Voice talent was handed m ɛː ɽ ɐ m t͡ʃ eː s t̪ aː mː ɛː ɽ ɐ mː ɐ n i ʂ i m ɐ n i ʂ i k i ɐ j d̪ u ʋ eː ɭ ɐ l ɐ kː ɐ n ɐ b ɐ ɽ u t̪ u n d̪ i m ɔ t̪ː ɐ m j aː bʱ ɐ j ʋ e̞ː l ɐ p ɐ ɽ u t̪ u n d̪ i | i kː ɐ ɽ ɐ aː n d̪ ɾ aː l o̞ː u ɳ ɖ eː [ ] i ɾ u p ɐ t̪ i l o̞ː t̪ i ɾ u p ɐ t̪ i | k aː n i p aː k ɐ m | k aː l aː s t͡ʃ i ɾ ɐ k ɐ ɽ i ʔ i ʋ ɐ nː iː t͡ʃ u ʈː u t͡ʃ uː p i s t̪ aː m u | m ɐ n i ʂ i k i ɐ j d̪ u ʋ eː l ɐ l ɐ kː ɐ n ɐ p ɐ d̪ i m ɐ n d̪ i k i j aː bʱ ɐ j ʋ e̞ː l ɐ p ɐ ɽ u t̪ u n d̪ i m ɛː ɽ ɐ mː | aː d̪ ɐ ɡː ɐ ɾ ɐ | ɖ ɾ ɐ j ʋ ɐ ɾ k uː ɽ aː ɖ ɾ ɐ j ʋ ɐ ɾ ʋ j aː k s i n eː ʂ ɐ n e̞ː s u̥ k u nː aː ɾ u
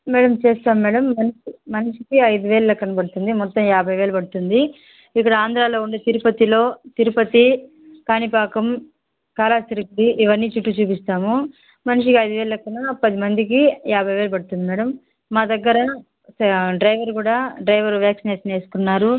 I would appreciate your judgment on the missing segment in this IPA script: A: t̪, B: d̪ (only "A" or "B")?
A